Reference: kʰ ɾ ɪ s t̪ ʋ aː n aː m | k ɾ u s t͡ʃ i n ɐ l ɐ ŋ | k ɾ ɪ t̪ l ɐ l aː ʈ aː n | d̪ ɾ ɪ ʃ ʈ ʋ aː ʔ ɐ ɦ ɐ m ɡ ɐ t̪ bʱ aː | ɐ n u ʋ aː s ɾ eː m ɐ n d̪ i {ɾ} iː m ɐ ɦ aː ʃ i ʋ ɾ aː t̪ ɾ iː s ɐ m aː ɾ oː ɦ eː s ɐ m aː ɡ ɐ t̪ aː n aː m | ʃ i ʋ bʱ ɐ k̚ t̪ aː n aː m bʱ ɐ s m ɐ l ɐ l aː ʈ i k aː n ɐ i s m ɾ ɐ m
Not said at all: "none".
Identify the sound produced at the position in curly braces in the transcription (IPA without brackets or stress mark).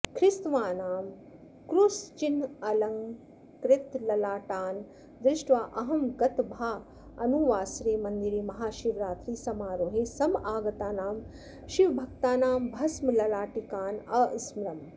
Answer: ɾ